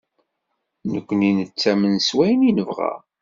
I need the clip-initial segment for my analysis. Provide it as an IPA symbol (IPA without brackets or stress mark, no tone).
n